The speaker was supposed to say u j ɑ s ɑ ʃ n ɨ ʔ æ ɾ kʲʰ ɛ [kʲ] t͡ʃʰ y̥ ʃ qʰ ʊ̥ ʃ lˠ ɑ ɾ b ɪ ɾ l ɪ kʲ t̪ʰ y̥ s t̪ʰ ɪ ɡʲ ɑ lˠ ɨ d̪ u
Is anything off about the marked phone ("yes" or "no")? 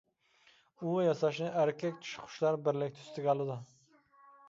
no